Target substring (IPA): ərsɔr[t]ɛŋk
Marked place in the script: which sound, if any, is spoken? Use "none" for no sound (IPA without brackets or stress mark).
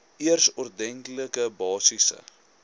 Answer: d